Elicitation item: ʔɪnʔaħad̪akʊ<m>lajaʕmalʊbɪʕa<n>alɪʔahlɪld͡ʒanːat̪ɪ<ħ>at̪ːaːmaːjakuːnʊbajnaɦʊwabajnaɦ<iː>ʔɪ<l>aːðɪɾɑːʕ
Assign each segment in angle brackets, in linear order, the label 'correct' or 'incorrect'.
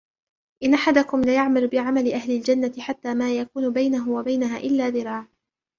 correct, incorrect: m, correct, incorrect: aː, incorrect: lː

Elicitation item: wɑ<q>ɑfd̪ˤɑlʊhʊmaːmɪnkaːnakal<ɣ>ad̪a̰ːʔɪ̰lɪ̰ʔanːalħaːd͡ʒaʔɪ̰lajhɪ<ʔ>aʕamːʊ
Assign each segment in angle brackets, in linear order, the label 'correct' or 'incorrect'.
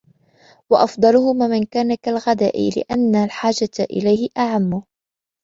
incorrect: ʔ, correct, correct

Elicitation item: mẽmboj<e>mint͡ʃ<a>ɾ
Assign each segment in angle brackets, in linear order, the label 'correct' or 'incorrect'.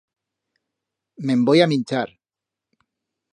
incorrect: a, correct

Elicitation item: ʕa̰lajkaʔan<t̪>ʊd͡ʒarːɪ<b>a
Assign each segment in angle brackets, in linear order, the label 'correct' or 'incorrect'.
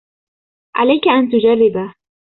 correct, correct

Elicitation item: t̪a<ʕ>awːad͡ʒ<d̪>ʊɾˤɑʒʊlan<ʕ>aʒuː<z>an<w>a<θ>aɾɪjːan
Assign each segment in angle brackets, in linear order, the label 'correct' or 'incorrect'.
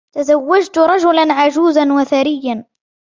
incorrect: z, incorrect: t̪, correct, correct, correct, correct

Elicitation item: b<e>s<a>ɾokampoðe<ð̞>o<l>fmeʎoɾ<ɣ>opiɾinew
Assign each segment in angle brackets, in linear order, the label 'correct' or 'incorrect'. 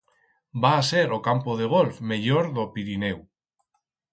incorrect: a, incorrect: e, incorrect: ɣ̞, correct, incorrect: ð

